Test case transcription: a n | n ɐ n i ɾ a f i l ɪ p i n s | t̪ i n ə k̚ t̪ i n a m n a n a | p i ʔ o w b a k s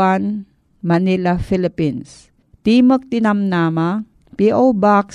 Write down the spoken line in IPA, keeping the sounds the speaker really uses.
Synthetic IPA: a n | m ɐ n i l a f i l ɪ p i n s | t̪ i m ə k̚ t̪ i n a m n a m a | p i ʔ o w b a k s